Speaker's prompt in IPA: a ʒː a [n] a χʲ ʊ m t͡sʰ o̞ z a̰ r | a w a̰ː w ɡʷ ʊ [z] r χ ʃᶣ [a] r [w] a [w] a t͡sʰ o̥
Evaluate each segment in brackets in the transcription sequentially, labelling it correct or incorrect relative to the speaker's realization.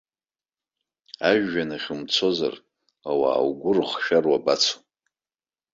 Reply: correct, incorrect: none, correct, correct, incorrect: b

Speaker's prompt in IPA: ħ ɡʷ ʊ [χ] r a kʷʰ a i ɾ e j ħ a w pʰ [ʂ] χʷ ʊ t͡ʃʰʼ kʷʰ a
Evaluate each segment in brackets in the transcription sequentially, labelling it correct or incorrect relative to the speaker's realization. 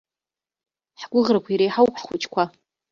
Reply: incorrect: ʁ, incorrect: ħ

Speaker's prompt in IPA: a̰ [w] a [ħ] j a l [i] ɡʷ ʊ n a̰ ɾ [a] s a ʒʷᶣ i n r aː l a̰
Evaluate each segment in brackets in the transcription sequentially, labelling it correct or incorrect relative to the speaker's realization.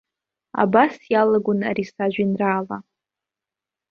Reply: incorrect: b, incorrect: s, incorrect: a, incorrect: i

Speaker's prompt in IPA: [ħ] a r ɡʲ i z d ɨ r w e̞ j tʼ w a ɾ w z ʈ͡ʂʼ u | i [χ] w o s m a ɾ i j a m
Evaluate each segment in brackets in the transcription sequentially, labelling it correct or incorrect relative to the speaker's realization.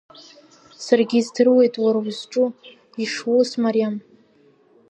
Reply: incorrect: s, incorrect: ʂ

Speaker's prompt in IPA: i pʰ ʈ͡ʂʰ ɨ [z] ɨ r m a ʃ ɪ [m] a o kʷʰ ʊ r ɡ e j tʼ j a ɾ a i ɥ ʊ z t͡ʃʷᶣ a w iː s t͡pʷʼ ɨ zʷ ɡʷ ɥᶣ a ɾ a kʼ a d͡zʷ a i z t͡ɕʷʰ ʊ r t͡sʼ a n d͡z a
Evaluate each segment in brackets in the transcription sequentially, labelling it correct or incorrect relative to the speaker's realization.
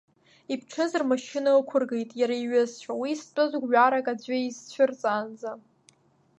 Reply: correct, incorrect: n

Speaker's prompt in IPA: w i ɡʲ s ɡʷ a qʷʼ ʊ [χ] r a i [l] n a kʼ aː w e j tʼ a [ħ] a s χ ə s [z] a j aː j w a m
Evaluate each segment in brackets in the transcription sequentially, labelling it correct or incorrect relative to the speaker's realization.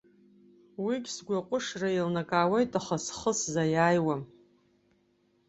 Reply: incorrect: ʂ, correct, incorrect: χ, correct

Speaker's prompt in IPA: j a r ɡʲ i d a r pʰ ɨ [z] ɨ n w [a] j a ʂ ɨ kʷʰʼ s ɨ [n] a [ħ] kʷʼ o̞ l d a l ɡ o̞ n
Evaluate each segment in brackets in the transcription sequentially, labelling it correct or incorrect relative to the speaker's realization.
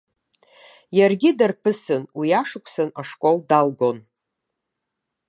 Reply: incorrect: s, incorrect: i, correct, incorrect: ʂ

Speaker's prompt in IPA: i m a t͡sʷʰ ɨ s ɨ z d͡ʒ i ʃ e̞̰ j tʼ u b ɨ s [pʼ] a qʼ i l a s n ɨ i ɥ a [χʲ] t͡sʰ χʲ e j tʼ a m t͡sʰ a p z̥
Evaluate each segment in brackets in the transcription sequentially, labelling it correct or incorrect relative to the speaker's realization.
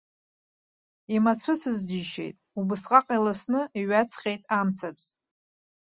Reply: incorrect: qʼ, incorrect: none

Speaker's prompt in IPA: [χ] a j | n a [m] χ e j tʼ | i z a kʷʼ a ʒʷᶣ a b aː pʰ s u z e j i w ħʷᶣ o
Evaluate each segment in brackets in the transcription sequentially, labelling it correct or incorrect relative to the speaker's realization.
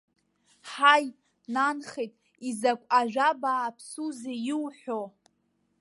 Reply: incorrect: ħ, incorrect: n

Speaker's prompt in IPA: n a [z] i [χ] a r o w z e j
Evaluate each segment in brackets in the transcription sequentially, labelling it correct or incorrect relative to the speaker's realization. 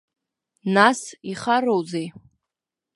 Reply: incorrect: s, correct

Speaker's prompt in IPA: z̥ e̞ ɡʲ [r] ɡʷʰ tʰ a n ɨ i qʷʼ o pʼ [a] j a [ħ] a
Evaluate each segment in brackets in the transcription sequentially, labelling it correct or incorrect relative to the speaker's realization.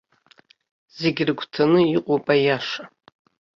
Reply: correct, correct, incorrect: ʂ

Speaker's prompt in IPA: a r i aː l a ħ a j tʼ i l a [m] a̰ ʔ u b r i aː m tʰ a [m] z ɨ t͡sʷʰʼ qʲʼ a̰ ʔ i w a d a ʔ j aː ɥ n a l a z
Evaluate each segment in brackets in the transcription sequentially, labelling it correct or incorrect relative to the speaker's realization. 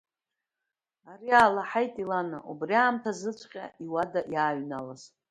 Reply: incorrect: n, incorrect: none

